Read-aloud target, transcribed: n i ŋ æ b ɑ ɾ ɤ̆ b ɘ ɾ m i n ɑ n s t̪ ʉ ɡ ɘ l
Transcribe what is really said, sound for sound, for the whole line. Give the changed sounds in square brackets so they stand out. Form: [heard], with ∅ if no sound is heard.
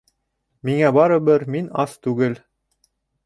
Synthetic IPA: [m] i ŋ æ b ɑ ɾ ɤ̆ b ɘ ɾ m i n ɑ [∅] s t̪ ʉ ɡ ɘ l